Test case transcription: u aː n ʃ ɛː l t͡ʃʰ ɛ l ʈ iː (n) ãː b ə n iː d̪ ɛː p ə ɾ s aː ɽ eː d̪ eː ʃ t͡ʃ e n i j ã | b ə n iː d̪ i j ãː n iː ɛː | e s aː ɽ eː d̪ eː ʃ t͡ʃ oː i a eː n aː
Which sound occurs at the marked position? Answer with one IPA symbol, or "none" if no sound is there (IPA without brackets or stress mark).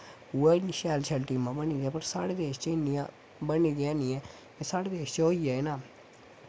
m